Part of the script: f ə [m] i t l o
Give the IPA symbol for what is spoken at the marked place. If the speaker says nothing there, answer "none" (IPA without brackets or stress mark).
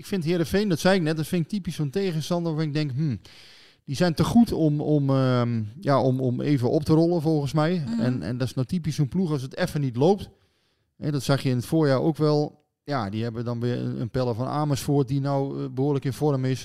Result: n